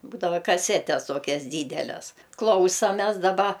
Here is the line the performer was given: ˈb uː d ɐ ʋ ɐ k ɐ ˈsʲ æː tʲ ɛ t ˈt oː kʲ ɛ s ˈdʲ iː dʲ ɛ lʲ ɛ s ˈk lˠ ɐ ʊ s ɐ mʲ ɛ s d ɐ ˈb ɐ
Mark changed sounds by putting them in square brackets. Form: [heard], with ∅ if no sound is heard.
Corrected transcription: ˈb uː d ɐ ʋ ɐ k ɐ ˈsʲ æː tʲ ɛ [s] ˈt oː kʲ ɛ s ˈdʲ iː dʲ ɛ lʲ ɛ s ˈk lˠ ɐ ʊ s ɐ mʲ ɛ s d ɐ ˈb ɐ

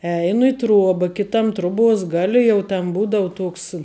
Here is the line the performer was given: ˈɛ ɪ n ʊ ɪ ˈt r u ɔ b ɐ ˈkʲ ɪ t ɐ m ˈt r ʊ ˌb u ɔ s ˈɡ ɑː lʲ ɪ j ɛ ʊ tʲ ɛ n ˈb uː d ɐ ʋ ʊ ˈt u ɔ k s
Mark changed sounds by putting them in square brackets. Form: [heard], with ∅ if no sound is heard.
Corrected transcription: ˈɛ ɪ n ʊ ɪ ˈt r u ɔ b ɐ ˈkʲ ɪ t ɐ m ˈt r ʊ ˌb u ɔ s ˈɡ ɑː lʲ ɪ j ɛ ʊ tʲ ɛ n ˈb uː d ɐ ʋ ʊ ˈt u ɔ k s

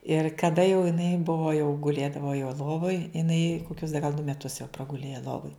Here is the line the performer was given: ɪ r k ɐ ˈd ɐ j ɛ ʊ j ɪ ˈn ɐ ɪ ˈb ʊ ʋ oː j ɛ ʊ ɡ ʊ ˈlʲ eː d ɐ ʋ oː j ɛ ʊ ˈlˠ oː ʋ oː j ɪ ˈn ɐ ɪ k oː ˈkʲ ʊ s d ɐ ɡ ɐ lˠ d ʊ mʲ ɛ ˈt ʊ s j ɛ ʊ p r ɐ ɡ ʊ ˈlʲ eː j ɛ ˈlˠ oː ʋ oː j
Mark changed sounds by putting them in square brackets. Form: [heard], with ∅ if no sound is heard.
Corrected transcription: ɪ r k ɐ ˈd ɐ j ɛ ʊ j ɪ ˈn ɐ ɪ ˈb ʊ ʋ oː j ɛ ʊ ɡ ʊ ˈlʲ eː d ɐ ʋ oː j ɛ ʊ ˈlˠ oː ʋ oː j ɪ ˈn ɐ ɪ k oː ˈkʲ ʊ s d ɐ ɡ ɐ lˠ d ʊ mʲ ɛ ˈt ʊ s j ɛ ʊ p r ɐ ɡ ʊ ˈlʲ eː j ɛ ˈlˠ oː ʋ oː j

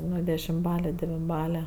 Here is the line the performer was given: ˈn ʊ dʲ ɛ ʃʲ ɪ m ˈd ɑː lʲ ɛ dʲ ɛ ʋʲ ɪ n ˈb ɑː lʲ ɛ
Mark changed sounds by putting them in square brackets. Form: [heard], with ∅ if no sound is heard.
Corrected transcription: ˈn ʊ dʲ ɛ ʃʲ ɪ m [ˈb] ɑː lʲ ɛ dʲ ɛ ʋʲ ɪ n ˈb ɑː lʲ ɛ

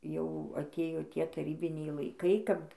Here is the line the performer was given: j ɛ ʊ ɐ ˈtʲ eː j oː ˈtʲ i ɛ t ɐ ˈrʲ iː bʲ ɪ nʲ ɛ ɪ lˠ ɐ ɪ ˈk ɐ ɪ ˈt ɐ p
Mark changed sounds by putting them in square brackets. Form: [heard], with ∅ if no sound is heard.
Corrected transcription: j ɛ ʊ ɐ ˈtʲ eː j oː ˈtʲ i ɛ t ɐ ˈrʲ iː bʲ ɪ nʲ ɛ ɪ lˠ ɐ ɪ ˈk ɐ ɪ [ˈk] ɐ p

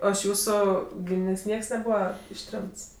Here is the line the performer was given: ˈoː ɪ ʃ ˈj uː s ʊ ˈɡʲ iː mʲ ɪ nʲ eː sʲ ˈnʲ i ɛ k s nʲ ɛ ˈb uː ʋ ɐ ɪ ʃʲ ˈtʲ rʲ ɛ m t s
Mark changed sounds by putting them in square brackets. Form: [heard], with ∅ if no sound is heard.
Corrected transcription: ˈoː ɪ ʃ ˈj uː s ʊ ˈɡʲ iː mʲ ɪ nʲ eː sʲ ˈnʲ i ɛ k s nʲ ɛ ˈb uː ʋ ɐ ɪ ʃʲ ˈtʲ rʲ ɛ m t s

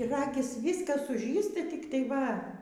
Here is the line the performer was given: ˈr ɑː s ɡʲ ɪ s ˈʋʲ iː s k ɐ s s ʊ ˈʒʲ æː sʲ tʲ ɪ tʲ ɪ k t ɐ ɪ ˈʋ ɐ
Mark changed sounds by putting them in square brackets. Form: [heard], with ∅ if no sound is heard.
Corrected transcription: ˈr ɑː [∅] ɡʲ ɪ s ˈʋʲ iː s k ɐ s s ʊ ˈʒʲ [iː] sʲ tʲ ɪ tʲ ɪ k t ɐ ɪ ˈʋ ɐ

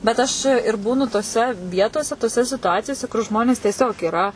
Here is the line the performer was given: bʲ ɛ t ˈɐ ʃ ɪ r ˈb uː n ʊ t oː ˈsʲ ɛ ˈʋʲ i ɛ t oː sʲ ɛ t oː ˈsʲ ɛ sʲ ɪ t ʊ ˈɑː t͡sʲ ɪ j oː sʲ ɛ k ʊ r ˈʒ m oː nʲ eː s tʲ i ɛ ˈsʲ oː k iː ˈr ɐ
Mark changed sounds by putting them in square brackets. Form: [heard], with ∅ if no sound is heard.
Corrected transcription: bʲ ɛ t ˈɐ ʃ ɪ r ˈb uː n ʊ t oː ˈsʲ ɛ ˈʋʲ i ɛ t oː sʲ ɛ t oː ˈsʲ ɛ sʲ ɪ t ʊ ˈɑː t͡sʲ ɪ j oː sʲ ɛ k ʊ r ˈʒ m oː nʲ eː s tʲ i ɛ ˈsʲ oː k iː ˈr ɐ

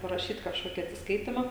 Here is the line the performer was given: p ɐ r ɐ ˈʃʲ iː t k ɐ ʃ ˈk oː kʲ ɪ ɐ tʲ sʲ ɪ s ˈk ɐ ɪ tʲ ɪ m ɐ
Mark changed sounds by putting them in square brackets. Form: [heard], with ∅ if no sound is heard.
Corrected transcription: p ɐ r ɐ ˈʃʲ iː t k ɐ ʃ ˈk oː kʲ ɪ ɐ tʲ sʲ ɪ s ˈk ɐ ɪ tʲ ɪ m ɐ

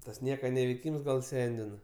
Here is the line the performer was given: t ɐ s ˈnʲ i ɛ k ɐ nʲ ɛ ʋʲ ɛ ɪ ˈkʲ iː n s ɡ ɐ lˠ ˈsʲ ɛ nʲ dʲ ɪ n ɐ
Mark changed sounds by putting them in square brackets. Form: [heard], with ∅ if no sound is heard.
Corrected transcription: t ɐ s ˈnʲ i ɛ k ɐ nʲ ɛ ʋʲ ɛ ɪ ˈkʲ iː [m] s ɡ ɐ lˠ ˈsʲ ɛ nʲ dʲ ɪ n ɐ

